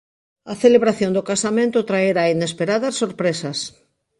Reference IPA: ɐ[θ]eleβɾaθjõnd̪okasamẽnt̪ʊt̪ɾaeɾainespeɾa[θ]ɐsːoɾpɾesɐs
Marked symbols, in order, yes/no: yes, no

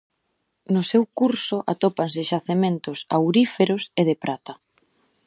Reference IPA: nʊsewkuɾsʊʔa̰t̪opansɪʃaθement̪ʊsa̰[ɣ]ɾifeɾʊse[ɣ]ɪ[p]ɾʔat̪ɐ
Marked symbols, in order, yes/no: no, no, yes

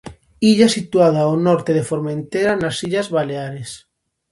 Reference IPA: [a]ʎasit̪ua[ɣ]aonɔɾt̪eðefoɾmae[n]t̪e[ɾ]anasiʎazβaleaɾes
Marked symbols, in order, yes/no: no, no, yes, yes

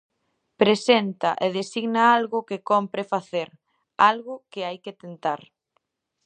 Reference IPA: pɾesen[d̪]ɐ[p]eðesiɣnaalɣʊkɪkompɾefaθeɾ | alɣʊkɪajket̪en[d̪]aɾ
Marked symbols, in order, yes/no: no, no, no

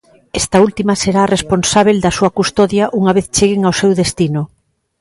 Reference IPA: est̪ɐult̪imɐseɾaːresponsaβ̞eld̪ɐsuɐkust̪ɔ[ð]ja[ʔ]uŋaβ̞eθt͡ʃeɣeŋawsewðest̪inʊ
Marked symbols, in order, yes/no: yes, yes

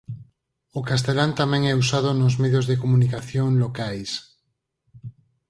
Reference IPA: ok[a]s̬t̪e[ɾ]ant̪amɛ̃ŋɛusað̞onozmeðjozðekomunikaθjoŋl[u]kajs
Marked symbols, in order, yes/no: yes, no, no

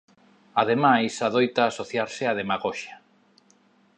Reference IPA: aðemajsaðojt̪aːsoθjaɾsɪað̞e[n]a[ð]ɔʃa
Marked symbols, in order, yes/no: no, no

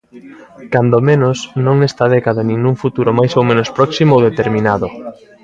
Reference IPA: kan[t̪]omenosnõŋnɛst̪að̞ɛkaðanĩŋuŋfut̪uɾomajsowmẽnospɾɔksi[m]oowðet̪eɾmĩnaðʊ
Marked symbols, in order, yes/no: no, yes

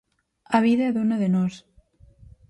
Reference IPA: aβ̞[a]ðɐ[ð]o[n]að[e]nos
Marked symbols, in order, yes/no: no, yes, yes, yes

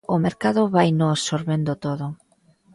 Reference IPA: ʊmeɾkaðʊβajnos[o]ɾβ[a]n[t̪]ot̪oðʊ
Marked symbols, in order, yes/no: yes, no, no

